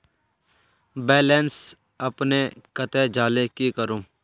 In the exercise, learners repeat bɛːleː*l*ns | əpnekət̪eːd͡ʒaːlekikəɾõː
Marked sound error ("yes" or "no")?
yes